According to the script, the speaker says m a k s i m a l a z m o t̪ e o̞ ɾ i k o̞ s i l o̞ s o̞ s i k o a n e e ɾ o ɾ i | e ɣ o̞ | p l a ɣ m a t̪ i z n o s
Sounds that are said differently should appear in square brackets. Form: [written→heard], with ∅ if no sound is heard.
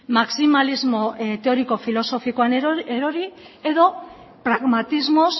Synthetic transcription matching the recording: m a k s i m a l [a→i] z m o t̪ e o̞ ɾ i k o̞ [s→f] i l o̞ s o̞ [s→f] i k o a n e e ɾ o ɾ i | e [ɣ→ð] o̞ | p [l→ɾ] a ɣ m a t̪ i z [n→m] o s